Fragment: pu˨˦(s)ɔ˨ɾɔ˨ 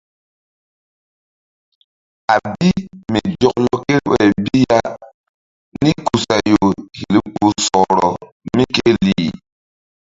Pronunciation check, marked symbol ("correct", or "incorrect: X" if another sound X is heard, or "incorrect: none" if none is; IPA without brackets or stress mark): correct